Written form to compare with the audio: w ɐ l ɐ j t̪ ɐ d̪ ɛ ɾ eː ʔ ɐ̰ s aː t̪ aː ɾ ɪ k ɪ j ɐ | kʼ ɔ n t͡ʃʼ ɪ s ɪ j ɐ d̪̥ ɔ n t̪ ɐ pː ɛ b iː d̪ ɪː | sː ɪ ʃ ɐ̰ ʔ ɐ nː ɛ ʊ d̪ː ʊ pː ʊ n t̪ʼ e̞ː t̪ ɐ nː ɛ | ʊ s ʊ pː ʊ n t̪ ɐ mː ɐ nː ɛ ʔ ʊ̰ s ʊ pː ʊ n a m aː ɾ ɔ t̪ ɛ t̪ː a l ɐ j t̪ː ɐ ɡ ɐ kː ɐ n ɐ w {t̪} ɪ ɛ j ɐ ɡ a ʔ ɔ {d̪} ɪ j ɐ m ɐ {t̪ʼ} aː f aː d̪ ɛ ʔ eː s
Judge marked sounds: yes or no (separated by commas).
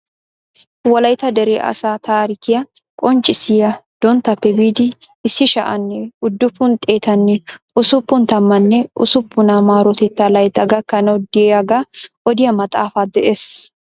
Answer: no, yes, yes